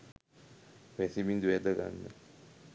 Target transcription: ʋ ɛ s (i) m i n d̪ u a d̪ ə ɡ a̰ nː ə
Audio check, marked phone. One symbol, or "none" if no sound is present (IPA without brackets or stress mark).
i